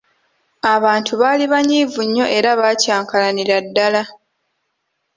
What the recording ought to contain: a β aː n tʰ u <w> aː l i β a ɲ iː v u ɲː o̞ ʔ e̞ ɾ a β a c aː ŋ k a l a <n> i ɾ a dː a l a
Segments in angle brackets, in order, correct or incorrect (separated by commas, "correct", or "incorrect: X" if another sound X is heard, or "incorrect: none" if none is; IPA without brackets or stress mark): incorrect: β, correct